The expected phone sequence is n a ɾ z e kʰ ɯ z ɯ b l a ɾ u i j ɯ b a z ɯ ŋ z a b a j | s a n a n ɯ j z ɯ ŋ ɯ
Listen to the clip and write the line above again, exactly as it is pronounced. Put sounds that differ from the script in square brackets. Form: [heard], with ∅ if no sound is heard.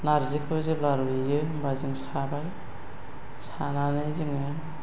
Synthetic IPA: n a ɾ z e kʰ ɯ z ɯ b l a ɾ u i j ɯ b a z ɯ ŋ [s] a b a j | s a n a n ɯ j z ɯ ŋ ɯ